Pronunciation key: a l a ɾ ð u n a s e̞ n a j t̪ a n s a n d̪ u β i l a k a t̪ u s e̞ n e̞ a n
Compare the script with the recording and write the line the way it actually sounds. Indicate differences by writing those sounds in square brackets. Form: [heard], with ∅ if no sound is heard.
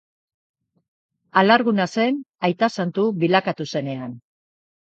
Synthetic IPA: a l a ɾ [ɣ] u n a s e̞ n a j t̪ a [∅] s a n [t̪] u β i l a k a t̪ u s e̞ n e̞ a n

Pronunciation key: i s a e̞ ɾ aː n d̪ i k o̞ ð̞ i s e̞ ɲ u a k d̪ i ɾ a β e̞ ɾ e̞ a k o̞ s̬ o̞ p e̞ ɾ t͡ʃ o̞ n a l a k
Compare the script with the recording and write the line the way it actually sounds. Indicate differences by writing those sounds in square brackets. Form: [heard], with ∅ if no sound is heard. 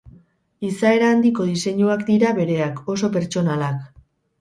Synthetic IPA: i s a e̞ ɾ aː n d̪ i k o̞ ð̞ i s e̞ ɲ u a k d̪ i ɾ a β e̞ ɾ e̞ a k o̞ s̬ o̞ p e̞ ɾ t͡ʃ o̞ n a l a k

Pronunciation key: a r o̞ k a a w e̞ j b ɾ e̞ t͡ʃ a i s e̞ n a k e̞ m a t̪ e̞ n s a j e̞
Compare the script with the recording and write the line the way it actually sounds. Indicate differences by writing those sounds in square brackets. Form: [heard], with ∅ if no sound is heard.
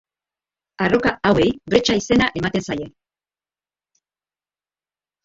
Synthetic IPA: a r o̞ k a a w e̞ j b ɾ e̞ t͡ʃ a i s e̞ n a [ʔ] e̞ m a t̪ e̞ n s a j e̞

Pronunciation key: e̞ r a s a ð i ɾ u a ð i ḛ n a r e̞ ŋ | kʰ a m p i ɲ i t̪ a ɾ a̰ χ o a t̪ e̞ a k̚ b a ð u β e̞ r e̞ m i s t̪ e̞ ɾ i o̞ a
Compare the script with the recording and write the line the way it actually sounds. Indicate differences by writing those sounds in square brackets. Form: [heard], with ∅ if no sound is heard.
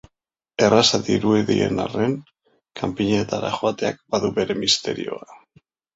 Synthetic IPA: e̞ r a s a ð i ɾ u [e] ð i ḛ n a r e̞ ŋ | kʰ a m p i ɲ [e] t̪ a ɾ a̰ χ o a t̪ e̞ a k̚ b a ð u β e̞ [ɾ] e̞ m i s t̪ e̞ ɾ i o̞ a

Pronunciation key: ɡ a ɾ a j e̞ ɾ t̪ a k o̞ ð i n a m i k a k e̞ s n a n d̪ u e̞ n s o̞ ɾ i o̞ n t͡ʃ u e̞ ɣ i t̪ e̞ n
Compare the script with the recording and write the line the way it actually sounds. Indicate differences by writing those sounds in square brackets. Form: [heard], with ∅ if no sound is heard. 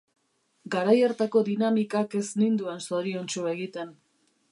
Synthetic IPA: ɡ a ɾ a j e̞ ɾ t̪ a k o̞ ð i n a m i k a k e̞ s n [i] n d̪ u e̞ n s o̞ ɾ i o̞ n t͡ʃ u e̞ ɣ i t̪ e̞ n

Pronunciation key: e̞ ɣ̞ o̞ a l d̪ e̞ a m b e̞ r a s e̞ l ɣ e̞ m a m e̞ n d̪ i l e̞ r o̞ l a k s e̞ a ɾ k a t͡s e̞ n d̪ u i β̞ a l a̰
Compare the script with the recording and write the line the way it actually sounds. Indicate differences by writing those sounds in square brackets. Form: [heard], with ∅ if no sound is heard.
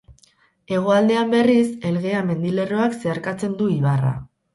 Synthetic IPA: e̞ ɣ̞ o̞ a l d̪ e̞ a m b e̞ r [i] s e̞ l ɣ e̞ [∅] a m e̞ n d̪ i l e̞ r o̞ [∅] a k s e̞ a ɾ k a t͡s e̞ n d̪ u i β̞ a [r] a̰

